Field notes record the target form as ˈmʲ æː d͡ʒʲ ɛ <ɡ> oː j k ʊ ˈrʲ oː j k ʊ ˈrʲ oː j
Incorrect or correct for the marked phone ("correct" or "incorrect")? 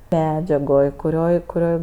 correct